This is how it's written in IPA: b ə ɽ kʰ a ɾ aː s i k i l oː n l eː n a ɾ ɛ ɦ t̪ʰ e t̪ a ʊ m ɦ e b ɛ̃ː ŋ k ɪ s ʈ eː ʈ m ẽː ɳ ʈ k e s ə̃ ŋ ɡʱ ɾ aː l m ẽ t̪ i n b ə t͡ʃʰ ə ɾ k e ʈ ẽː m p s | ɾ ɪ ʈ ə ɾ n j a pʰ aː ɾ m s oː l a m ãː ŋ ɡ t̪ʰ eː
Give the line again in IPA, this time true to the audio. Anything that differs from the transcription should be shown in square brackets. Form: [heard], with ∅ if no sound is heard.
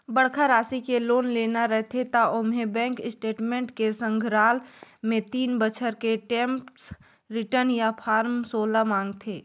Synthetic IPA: b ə ɽ kʰ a ɾ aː s i k [e] l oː n l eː n a ɾ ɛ ɦ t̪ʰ e t̪ a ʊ m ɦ e b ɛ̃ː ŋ k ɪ s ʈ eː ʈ m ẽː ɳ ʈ k e s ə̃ ŋ ɡʱ ɾ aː l m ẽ t̪ [iː] n b ə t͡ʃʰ ə ɾ k e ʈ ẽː m p s | ɾ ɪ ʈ ə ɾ n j a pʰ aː ɾ m s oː l a m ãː ŋ ɡ t̪ʰ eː